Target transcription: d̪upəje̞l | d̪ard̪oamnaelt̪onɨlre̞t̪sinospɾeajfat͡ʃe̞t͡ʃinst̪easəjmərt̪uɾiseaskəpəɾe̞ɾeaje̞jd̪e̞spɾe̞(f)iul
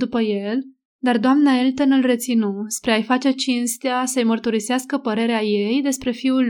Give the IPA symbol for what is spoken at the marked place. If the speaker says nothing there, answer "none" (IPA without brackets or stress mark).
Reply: f